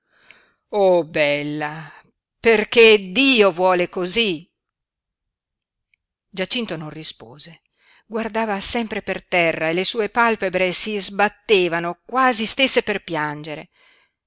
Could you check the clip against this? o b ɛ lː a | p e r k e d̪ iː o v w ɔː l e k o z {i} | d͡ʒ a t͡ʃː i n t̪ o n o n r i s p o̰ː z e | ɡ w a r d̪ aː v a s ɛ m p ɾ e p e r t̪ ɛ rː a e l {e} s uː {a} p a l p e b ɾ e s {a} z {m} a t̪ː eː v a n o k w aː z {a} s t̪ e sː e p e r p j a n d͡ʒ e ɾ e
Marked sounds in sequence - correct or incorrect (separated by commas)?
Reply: correct, correct, incorrect, incorrect, incorrect, incorrect